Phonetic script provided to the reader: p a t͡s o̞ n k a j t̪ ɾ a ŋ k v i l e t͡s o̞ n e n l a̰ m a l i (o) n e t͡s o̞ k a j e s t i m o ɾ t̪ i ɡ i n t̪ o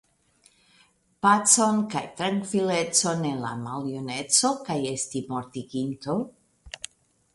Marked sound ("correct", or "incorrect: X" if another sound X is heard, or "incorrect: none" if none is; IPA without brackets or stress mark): correct